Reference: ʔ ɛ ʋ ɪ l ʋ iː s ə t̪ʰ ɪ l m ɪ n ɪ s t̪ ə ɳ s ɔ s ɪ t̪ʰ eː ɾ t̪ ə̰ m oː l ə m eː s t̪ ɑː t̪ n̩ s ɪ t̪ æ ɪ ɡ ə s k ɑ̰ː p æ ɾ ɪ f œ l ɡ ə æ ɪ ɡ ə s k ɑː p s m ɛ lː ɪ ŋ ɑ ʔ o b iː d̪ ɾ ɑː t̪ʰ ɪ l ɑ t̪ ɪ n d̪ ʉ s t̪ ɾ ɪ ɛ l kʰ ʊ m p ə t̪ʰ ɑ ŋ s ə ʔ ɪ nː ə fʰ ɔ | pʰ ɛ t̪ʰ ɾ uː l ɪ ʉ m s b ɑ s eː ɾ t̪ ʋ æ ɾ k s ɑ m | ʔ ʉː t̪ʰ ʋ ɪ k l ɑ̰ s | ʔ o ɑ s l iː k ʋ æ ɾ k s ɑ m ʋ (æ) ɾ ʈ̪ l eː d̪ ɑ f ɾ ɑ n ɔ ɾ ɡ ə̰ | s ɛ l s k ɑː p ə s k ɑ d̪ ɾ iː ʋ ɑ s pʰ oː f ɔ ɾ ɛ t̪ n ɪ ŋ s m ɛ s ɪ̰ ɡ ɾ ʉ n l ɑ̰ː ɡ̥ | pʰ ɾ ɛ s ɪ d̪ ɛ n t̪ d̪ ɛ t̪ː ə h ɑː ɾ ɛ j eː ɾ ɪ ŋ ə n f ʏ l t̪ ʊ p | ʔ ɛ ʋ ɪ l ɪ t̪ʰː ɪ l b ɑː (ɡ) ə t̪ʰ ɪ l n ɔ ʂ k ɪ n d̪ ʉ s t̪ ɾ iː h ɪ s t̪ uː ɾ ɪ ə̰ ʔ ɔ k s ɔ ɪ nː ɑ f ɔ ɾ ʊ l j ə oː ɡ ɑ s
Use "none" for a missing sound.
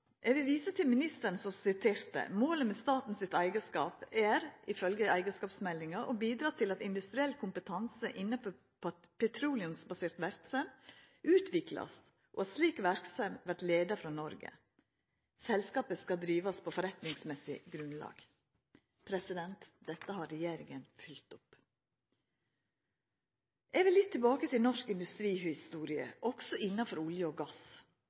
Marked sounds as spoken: æ, k

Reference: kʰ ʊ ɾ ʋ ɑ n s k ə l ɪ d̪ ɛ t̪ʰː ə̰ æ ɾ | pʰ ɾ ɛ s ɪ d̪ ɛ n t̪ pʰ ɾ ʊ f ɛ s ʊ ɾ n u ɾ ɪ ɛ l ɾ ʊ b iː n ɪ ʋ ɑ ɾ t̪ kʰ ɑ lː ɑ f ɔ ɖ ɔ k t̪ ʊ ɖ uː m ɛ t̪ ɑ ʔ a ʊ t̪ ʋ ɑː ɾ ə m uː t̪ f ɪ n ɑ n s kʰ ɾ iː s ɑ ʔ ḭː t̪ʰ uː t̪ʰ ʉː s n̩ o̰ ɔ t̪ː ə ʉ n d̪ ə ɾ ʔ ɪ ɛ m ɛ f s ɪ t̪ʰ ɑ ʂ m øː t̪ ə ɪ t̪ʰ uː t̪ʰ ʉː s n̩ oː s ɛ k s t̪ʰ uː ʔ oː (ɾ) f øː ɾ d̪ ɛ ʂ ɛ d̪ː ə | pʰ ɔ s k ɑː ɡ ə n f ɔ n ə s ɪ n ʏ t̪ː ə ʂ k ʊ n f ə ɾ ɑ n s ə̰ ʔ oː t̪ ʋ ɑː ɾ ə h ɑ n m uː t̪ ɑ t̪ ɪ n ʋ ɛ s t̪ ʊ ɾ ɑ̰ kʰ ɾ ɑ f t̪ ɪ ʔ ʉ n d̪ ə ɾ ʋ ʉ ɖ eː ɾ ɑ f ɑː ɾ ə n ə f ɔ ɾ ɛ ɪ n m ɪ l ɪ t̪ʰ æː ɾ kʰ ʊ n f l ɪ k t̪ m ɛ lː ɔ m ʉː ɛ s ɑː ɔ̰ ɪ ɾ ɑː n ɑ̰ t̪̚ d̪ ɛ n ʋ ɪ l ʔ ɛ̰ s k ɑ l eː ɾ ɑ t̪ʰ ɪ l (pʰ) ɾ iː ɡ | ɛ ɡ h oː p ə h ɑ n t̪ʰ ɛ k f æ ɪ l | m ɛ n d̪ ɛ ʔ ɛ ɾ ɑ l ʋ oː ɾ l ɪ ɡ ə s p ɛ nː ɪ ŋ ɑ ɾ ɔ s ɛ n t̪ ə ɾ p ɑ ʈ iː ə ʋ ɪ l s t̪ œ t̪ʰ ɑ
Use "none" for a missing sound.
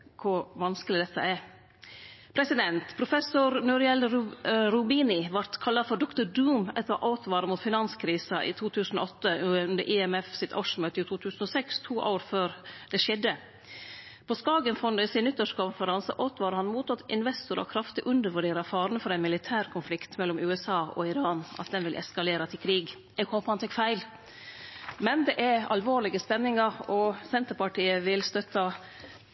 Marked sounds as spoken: ɾ, kʰ

